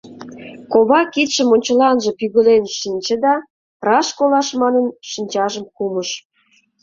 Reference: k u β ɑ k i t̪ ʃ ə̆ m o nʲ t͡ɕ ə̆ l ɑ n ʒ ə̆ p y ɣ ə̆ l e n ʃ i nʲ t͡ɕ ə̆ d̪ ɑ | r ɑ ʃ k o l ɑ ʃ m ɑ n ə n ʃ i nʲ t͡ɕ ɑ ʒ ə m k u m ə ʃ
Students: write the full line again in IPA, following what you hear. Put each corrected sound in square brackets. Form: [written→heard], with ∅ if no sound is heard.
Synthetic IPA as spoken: k [u→o] β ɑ k i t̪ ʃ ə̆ m o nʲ t͡ɕ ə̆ l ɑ n ʒ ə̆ p y ɣ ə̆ l e n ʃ i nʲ t͡ɕ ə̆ d̪ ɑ | r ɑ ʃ k o l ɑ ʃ m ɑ n ə n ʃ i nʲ t͡ɕ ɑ ʒ ə m k u m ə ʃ